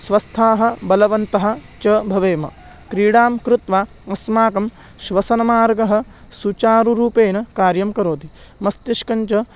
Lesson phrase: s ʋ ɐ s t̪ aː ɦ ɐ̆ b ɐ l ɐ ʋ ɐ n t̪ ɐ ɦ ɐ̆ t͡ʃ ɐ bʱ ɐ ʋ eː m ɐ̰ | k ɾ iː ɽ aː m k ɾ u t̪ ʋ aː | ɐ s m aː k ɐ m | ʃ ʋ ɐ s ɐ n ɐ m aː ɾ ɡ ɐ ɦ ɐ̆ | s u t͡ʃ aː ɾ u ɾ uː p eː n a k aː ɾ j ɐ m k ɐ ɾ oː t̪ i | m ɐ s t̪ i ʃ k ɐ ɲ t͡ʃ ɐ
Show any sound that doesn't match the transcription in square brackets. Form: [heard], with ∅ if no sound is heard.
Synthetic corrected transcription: s ʋ ɐ s [t̪ʰ] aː ɦ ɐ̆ b ɐ l ɐ ʋ ɐ n t̪ ɐ ɦ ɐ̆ t͡ʃ ɐ bʱ ɐ ʋ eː m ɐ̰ | k ɾ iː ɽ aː m k ɾ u t̪ ʋ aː | ɐ s m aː k ɐ m | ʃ ʋ ɐ s ɐ n ɐ m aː ɾ ɡ ɐ ɦ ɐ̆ | s u t͡ʃ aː ɾ u ɾ uː p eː n [ɐ] k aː ɾ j ɐ m k ɐ ɾ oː t̪ i | m ɐ s t̪ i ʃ k ɐ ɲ t͡ʃ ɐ